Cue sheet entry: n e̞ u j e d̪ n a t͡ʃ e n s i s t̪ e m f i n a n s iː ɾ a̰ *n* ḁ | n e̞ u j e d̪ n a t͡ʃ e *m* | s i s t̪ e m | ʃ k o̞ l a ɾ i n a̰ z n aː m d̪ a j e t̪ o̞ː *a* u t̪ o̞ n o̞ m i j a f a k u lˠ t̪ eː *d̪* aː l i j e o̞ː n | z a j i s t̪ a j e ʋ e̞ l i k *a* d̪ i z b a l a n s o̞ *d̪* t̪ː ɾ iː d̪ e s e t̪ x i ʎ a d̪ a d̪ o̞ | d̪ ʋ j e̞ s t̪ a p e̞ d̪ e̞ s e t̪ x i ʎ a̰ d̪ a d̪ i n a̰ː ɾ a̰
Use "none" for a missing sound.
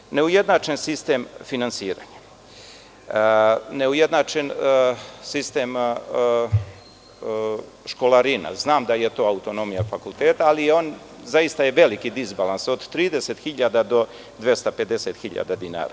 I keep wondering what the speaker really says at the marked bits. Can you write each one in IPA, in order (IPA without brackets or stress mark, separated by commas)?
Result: ɲ, n, a, t̪, i, d̪